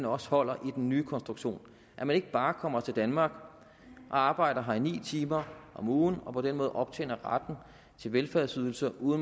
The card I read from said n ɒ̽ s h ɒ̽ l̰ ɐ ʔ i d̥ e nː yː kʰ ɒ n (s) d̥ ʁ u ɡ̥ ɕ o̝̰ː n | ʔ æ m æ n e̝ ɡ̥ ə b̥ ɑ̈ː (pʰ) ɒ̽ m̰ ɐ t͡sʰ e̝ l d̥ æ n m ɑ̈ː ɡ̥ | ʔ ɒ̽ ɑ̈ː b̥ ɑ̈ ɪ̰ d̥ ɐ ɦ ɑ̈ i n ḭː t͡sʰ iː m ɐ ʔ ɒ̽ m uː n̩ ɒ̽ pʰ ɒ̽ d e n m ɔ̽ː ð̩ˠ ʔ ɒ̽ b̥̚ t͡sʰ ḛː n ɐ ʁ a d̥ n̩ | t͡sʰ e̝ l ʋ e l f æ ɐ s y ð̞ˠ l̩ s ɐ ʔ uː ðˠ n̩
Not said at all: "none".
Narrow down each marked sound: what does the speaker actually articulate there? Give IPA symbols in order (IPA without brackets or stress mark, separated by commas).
s, kʰ